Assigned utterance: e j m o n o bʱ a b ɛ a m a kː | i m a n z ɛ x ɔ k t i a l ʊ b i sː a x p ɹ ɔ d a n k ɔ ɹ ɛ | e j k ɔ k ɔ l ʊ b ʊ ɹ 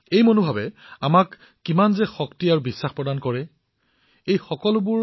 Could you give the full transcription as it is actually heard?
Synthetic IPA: e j m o n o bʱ a b ɛ a m a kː | i m a n z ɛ x ɔ k t i a ɹ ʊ b i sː a x p ɹ ɔ d a n k ɔ ɹ ɛ | e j x ɔ k ɔ l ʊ b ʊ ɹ